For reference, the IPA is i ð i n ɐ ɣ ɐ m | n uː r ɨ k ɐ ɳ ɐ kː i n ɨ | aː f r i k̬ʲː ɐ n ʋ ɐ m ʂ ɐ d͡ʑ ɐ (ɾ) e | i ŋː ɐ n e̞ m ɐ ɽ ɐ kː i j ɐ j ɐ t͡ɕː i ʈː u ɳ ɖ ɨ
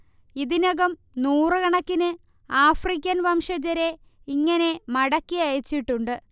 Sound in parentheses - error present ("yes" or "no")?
no